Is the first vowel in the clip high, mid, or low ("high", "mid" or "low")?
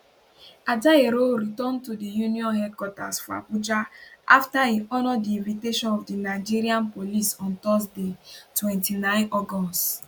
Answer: low